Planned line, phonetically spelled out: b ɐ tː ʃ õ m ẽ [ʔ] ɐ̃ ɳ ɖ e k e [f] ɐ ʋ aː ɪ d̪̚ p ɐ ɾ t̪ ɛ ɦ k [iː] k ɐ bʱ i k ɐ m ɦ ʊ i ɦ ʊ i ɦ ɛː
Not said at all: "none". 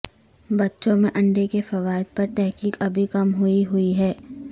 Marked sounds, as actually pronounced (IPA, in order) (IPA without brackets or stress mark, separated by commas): ʔ, f, iː